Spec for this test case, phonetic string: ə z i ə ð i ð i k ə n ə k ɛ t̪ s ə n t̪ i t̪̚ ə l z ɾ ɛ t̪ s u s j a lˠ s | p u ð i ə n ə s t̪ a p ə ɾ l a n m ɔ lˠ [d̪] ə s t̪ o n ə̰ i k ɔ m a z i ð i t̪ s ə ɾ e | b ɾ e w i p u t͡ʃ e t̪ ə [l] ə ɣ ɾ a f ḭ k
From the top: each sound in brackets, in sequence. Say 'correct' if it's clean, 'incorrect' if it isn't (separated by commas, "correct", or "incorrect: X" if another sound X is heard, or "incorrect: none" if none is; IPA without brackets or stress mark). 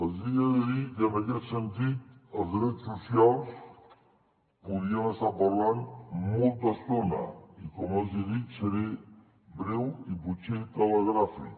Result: incorrect: t̪, correct